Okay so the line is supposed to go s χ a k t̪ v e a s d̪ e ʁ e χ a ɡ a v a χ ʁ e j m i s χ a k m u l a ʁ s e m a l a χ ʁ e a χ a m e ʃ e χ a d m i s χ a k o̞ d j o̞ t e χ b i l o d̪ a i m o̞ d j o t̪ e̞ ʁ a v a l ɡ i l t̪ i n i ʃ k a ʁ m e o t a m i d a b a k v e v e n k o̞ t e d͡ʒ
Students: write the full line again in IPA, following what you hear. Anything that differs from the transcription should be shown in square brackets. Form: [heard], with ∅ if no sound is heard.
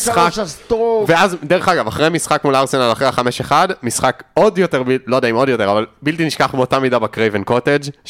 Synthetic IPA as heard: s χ a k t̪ v e a [z] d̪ e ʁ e χ a ɡ a v a χ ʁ e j m i s χ a k m u l a ʁ s e [n] a l a χ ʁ e a χ a m e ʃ e χ a d m i s χ a k o̞ d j o̞ t e [ʁ] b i l o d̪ a i m o̞ d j o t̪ e̞ ʁ a v a l [b] i l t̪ i n i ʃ k a [χ] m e o t a m i d a b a k [ʁ] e v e n k o̞ t e d͡ʒ